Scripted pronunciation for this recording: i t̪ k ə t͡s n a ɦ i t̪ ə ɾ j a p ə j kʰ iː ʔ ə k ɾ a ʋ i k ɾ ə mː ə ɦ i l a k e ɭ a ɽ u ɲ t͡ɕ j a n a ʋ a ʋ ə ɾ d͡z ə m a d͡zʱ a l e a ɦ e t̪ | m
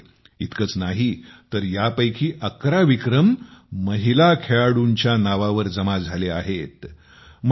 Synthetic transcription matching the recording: i t̪ k ə t͡s n a ɦ i t̪ ə ɾ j a p ə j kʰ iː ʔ ə k ɾ a ʋ i k ɾ ə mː ə ɦ i l a kʰ e ɭ a ɽ u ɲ t͡ɕ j a n a ʋ a ʋ ə ɾ d͡z ə m a d͡zʱ a l e a ɦ e t̪ | m